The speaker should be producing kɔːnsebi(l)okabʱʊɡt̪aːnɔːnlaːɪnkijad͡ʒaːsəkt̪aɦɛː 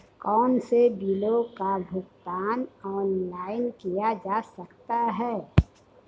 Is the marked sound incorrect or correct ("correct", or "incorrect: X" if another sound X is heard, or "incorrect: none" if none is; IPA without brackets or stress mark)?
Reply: correct